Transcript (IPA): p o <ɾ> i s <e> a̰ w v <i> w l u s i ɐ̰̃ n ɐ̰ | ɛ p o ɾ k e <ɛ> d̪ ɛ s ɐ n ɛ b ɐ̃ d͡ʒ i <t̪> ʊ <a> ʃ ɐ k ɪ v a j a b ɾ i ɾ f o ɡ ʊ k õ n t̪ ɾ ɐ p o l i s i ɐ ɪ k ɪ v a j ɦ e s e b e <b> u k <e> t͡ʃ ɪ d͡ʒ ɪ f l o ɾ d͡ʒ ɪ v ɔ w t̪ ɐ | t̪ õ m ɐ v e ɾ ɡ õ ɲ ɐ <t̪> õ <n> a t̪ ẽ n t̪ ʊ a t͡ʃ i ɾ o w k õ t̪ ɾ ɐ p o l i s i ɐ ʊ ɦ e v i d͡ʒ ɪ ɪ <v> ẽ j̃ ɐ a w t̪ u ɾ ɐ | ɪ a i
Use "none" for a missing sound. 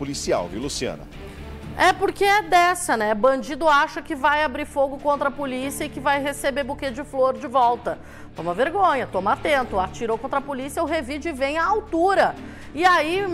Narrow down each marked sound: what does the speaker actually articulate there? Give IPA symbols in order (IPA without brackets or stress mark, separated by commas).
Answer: l, i, i, ɛ, d̪, a, b, e, t̪, m, v